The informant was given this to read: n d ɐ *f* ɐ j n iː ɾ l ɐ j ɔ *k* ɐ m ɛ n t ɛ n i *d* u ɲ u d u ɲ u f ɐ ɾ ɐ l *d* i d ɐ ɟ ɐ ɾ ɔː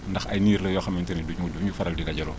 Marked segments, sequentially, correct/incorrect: incorrect, incorrect, correct, correct

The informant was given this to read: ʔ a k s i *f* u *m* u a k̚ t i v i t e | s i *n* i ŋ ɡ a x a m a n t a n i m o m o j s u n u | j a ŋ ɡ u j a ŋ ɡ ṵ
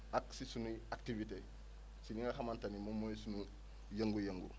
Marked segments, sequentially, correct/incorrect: incorrect, incorrect, correct

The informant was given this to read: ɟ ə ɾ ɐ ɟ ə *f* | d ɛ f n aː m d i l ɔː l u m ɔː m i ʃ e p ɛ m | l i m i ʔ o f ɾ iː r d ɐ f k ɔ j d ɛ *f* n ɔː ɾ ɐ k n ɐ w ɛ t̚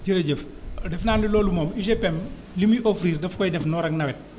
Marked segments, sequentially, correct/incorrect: correct, correct

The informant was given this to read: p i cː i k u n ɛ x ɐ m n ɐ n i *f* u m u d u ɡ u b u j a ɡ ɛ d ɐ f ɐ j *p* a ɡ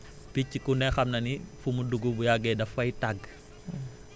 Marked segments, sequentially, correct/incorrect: correct, incorrect

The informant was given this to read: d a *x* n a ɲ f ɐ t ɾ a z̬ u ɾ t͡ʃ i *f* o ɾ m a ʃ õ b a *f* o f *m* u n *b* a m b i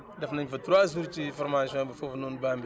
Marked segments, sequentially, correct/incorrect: incorrect, correct, correct, incorrect, correct

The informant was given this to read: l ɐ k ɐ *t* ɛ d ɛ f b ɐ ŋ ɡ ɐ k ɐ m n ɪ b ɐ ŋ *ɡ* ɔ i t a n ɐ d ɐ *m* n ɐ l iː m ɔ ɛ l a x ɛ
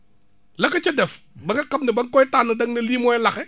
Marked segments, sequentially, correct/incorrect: incorrect, incorrect, incorrect

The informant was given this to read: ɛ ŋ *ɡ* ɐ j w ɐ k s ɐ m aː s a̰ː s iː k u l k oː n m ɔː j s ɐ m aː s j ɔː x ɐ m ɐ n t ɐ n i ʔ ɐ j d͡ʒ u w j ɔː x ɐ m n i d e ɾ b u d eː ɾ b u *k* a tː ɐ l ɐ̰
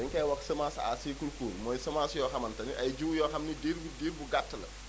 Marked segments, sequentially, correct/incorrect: incorrect, incorrect

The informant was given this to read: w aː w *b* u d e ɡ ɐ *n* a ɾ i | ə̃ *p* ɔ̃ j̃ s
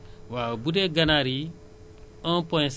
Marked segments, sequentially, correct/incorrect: correct, correct, correct

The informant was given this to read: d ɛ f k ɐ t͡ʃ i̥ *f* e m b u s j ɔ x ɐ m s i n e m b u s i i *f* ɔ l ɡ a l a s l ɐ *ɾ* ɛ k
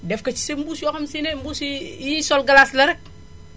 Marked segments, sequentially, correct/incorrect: incorrect, incorrect, correct

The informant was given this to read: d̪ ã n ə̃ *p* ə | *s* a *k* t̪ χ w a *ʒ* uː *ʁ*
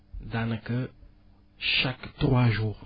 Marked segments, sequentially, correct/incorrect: incorrect, incorrect, correct, correct, correct

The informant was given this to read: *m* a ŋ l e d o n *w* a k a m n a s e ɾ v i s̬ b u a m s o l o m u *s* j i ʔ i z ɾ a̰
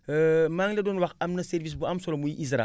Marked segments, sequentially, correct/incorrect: correct, correct, incorrect

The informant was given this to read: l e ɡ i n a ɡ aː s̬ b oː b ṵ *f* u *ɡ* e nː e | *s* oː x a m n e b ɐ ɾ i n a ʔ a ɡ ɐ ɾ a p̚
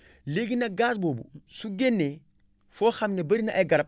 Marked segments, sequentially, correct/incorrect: incorrect, correct, incorrect

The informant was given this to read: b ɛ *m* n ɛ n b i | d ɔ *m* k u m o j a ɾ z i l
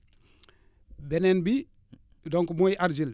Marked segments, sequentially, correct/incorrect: incorrect, incorrect

